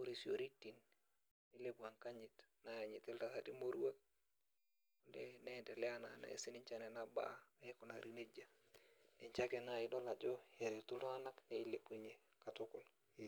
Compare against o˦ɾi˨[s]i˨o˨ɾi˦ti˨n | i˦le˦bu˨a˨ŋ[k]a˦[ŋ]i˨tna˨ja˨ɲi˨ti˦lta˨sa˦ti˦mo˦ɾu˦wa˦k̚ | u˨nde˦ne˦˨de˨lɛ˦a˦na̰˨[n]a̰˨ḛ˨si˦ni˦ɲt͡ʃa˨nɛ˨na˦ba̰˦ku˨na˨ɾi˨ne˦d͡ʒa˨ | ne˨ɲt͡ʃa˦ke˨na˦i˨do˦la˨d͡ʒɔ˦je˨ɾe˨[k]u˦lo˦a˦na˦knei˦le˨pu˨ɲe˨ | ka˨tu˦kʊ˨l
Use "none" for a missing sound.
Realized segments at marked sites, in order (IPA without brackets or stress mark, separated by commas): s, k, ɲ, n, t